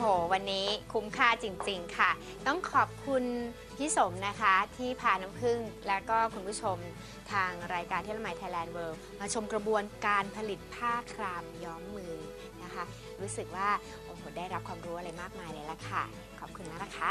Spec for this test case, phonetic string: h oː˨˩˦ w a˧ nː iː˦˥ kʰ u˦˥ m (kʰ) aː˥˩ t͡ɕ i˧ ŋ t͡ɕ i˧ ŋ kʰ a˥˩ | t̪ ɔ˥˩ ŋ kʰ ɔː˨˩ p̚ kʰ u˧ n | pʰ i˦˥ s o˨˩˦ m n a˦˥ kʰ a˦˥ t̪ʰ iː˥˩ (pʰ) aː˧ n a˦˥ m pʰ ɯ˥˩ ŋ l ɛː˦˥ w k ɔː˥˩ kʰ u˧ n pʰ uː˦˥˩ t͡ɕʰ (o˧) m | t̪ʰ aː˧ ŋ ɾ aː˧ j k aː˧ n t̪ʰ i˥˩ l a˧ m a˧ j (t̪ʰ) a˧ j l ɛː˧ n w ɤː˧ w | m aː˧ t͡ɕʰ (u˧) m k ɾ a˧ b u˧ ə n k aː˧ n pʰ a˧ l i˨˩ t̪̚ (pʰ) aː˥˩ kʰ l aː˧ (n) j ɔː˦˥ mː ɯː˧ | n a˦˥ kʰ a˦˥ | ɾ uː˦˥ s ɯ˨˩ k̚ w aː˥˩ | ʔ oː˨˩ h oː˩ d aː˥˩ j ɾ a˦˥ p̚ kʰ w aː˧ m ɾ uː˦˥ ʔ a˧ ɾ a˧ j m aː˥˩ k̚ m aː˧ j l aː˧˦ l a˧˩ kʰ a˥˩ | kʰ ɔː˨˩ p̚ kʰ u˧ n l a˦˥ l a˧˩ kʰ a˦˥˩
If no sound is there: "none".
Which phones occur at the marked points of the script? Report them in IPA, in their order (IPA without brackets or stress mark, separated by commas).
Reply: kʰ, pʰ, o˧, t̪ʰ, o˧, pʰ, m